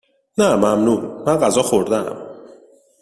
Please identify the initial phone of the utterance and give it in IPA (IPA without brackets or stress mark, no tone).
n